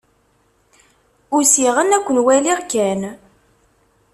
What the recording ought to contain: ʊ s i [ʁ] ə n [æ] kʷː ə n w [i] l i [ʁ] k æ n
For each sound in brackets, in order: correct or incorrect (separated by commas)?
correct, correct, incorrect, correct